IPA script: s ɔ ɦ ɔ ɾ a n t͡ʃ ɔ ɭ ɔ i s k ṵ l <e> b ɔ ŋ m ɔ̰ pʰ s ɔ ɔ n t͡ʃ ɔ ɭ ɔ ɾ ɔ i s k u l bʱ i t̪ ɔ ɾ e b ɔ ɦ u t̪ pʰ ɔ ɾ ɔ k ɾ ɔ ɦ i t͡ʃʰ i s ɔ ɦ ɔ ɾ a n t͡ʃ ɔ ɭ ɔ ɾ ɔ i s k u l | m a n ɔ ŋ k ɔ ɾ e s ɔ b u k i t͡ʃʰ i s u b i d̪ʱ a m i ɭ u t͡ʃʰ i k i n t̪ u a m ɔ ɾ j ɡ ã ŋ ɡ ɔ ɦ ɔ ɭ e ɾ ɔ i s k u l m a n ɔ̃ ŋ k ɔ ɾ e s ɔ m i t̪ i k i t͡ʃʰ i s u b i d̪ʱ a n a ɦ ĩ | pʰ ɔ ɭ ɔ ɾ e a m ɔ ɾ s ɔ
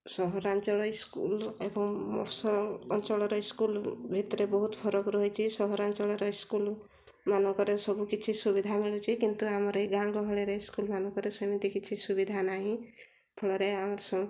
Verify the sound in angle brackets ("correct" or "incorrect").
correct